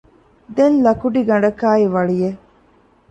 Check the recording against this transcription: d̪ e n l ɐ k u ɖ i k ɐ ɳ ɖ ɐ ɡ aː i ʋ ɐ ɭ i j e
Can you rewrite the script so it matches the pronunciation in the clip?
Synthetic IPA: d̪ e n l ɐ k u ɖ i ɡ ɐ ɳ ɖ ɐ k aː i ʋ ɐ ɭ i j e